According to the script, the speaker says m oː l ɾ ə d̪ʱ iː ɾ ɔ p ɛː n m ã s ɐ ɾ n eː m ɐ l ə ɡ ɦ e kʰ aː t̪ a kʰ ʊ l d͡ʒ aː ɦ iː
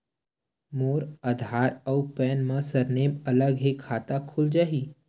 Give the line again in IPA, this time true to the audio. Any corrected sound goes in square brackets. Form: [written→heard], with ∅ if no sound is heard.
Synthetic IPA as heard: m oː [l→∅] ɾ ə d̪ʱ [iː→aː] ɾ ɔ p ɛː n m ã s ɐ ɾ n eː m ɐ l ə ɡ ɦ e kʰ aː t̪ a kʰ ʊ l d͡ʒ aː ɦ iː

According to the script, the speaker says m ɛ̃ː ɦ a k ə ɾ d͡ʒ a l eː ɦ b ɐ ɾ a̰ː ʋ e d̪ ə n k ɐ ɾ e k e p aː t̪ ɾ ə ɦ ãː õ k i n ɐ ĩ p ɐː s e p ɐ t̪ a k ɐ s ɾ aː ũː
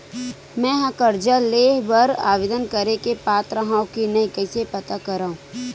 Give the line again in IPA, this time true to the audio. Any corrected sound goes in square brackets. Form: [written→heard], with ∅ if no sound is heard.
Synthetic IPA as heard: m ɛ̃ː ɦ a k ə ɾ d͡ʒ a l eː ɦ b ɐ ɾ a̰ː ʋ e d̪ ə n k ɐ ɾ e k e p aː t̪ ɾ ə ɦ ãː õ k i n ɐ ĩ [p→k] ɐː s e p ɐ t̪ a k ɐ [s→∅] ɾ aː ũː

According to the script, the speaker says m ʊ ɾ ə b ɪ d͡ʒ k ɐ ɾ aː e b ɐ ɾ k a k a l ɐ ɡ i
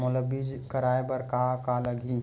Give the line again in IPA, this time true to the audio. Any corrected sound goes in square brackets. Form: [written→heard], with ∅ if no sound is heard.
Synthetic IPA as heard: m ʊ [ɾ→l] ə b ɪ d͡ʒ k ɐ ɾ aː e b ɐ ɾ k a k a l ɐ ɡ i

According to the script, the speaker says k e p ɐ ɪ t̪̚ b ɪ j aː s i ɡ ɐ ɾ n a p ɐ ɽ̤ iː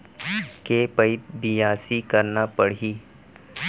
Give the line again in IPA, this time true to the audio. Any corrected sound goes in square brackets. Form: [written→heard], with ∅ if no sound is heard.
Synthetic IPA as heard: k e p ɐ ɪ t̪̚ b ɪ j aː s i [ɡ→k] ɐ ɾ n a p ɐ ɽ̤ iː

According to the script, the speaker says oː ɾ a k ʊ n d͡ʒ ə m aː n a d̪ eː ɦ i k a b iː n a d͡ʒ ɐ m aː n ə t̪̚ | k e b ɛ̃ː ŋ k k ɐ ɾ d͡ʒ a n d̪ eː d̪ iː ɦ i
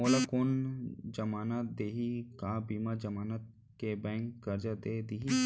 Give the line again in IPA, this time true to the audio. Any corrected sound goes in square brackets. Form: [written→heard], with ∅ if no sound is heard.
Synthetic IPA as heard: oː [ɾ→l] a k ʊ n d͡ʒ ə m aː n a d̪ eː ɦ i k a b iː [n→m] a d͡ʒ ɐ m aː n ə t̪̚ | k e b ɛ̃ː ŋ k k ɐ ɾ d͡ʒ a [n→∅] d̪ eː d̪ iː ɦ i

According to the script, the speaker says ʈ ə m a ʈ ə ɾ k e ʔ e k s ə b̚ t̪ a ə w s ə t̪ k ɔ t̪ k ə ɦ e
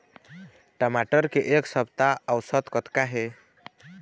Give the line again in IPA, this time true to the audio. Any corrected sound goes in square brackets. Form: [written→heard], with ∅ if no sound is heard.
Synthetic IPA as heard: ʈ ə m a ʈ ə ɾ k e ʔ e k s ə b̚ t̪ a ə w s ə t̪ k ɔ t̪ k [ə→a] ɦ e

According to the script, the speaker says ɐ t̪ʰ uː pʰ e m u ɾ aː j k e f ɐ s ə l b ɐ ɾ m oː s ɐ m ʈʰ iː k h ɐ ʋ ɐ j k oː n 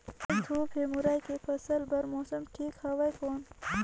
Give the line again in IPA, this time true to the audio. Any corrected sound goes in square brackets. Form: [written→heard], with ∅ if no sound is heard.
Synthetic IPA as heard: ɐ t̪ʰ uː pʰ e m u ɾ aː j k e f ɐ s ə l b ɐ ɾ m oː s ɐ m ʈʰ iː k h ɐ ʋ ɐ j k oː n

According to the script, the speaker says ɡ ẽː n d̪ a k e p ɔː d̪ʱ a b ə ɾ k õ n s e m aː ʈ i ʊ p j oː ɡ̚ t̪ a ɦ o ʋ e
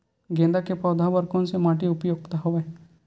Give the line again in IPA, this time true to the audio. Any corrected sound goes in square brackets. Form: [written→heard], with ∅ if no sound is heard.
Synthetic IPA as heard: ɡ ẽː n d̪ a k e p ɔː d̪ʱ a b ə ɾ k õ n s e m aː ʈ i ʊ p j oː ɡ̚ t̪ a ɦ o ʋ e

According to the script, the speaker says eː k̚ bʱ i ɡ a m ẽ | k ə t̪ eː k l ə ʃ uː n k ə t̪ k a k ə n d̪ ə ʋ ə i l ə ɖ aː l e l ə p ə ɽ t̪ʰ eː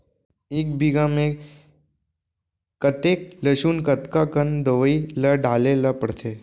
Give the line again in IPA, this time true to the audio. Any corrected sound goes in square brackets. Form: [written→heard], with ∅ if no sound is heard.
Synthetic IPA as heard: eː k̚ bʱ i ɡ a m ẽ | k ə t̪ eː k l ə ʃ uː n k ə t̪ k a k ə n d̪ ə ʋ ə i l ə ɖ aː l e l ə p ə ɽ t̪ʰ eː

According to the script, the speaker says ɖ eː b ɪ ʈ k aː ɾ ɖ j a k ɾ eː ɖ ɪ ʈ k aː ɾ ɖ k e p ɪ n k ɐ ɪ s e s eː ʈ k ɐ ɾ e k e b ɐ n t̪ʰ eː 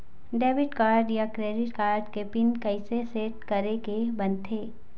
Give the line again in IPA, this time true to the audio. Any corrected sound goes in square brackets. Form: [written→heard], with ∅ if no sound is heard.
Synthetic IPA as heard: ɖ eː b ɪ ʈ k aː ɾ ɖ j a k ɾ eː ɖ ɪ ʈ k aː ɾ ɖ k e p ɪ n k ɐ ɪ s e s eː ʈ k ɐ ɾ e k e b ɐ n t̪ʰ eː

